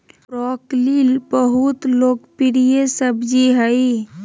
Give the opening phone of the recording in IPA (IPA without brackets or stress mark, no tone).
ɾ